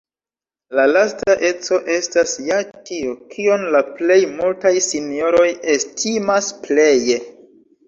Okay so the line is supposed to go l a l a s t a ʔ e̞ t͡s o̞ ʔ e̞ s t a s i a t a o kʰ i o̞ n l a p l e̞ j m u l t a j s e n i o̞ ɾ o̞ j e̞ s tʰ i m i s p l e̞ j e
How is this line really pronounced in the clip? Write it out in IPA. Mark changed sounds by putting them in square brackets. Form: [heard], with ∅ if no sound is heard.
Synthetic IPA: l a l a s t a ʔ e̞ t͡s o̞ ʔ e̞ s t a s [j] a t [i] o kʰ i o̞ n l a p l e̞ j m u l t a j s [i] n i o̞ ɾ o̞ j e̞ s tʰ i m [a] s p l e̞ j e

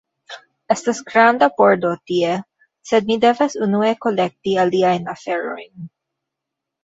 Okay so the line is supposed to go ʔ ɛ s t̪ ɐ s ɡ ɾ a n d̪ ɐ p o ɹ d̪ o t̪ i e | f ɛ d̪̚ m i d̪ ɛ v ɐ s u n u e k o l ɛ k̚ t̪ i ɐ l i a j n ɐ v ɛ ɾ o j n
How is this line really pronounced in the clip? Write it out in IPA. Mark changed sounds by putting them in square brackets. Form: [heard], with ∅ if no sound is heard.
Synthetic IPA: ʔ ɛ s t̪ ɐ s ɡ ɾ a n d̪ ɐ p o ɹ d̪ o t̪ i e | [s] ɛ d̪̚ m i d̪ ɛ v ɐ s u n u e k o l ɛ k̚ t̪ i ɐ l i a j n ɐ [f] ɛ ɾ o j n

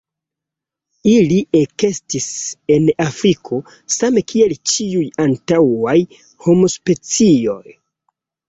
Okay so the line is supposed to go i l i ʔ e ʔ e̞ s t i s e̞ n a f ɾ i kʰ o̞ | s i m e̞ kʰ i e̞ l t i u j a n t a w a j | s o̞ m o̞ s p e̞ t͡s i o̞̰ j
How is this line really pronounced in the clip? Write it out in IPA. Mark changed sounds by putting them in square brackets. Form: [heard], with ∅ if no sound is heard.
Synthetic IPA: i l i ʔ e [k] e̞ s t i s e̞ n a f ɾ i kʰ o̞ | s [a] m e̞ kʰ i e̞ l [t͡ʃ] i u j a n t a w a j | [h] o̞ m o̞ s p e̞ t͡s i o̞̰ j

